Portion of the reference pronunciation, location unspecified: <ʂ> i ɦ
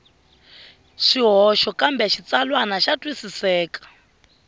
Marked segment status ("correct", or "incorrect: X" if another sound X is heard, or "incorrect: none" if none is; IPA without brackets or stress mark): incorrect: ʃ